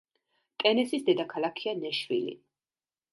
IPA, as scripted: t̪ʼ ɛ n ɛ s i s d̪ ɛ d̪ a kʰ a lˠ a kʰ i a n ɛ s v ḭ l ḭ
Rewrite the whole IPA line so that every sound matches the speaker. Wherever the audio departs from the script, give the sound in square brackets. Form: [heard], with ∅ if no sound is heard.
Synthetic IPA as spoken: t̪ʼ ɛ n ɛ s i s d̪ ɛ d̪ a kʰ a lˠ a kʰ i a n ɛ [ʃ] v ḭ l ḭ

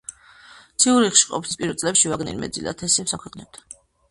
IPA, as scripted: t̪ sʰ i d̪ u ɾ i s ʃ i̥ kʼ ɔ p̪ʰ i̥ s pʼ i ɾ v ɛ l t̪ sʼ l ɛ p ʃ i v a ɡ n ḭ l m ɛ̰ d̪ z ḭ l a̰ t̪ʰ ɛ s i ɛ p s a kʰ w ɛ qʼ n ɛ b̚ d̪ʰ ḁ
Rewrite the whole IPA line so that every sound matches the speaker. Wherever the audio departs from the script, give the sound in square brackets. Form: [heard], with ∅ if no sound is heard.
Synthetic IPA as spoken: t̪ sʰ i [∅] u ɾ i [χ] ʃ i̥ [qʼ] ɔ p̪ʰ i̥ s pʼ i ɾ v ɛ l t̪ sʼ l ɛ p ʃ i v a ɡ n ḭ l m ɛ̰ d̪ z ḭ l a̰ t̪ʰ ɛ s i ɛ p s a kʰ w ɛ qʼ n ɛ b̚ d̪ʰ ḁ

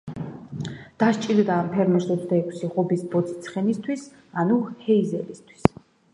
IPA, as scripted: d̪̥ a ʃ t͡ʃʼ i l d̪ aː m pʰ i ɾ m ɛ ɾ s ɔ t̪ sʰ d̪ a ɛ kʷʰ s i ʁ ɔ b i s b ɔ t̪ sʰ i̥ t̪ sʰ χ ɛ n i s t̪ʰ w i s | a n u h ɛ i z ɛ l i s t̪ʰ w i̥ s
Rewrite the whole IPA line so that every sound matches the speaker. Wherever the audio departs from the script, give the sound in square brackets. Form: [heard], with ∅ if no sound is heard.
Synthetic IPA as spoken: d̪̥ a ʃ t͡ʃʼ i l d̪ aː m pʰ [ɛ] ɾ m ɛ ɾ s ɔ t̪ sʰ d̪ a ɛ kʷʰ s i ʁ ɔ b i s b ɔ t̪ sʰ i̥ t̪ sʰ χ ɛ n i s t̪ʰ w i s | a n u h ɛ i z ɛ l i s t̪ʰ w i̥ s

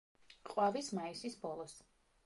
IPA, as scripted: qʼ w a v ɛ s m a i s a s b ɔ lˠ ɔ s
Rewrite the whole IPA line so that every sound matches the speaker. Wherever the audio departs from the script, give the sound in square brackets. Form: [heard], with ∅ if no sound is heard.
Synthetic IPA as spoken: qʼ w a v [i] s m a i s [i] s b ɔ lˠ ɔ s

